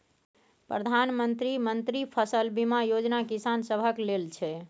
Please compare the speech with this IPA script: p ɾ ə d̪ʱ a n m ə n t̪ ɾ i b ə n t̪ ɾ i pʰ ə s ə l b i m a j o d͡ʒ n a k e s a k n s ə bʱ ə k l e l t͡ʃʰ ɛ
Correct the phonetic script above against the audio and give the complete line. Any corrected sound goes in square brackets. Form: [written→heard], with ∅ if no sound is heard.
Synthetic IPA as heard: p ɾ ə d̪ʱ a n m ə n t̪ ɾ i [b→m] ə n t̪ ɾ i pʰ ə s ə l b i m a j o d͡ʒ n a k [e→i] s a [k→∅] n s ə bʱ ə k l e l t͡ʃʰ ɛ